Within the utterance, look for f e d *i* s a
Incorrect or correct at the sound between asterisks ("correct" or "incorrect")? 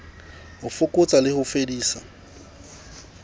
incorrect